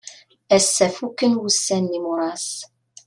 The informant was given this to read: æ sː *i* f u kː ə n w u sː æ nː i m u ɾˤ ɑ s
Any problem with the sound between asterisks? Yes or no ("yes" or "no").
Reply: yes